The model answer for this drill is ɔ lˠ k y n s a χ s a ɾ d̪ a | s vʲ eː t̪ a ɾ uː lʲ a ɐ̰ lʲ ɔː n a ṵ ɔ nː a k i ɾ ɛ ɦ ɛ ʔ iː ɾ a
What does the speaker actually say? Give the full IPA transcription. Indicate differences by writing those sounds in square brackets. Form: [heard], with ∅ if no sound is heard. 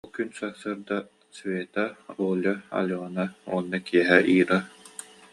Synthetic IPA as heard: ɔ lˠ k y n s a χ s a ɾ d̪ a | s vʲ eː t̪ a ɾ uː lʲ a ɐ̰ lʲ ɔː n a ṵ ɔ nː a k i [∅] ɛ ɦ ɛ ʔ iː ɾ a